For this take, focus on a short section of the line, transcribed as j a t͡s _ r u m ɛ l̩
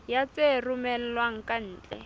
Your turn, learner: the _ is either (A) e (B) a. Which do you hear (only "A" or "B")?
A